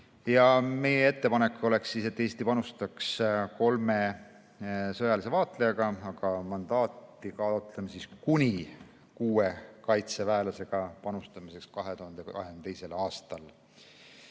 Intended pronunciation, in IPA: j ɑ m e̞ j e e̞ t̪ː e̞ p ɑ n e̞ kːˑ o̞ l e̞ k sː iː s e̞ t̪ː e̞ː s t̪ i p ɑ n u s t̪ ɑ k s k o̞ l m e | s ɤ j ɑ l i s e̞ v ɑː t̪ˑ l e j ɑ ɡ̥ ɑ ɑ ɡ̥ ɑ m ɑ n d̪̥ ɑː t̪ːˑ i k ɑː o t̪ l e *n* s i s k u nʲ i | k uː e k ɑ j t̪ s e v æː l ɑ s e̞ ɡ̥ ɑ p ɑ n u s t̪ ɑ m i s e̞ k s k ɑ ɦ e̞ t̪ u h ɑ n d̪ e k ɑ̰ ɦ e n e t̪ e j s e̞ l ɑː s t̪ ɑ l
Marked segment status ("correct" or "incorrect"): incorrect